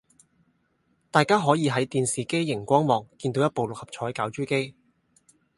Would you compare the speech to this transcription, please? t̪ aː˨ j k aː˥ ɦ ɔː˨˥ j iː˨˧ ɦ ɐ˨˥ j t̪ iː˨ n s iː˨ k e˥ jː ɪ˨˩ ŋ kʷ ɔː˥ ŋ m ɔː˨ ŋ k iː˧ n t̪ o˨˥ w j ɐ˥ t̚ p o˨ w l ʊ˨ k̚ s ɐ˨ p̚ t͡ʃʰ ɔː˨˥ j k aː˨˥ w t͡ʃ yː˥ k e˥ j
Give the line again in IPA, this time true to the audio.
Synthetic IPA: t̪ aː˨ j k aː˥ ɦ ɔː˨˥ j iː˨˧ ɦ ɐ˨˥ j t̪ iː˨ n s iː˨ k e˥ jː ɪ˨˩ ŋ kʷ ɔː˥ ŋ m ɔː˨ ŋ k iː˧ n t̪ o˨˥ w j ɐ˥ t̚ p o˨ w l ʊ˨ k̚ h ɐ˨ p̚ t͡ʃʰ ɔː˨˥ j k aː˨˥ w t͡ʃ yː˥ k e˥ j